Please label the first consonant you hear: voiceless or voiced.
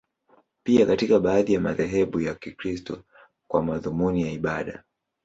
voiceless